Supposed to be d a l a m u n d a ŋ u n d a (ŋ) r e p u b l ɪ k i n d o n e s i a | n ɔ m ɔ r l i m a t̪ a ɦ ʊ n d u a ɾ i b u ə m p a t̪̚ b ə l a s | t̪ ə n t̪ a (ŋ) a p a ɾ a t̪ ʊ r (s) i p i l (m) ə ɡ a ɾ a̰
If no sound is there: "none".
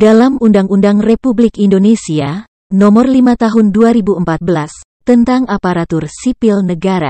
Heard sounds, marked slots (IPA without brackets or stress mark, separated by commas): ŋ, ŋ, s, n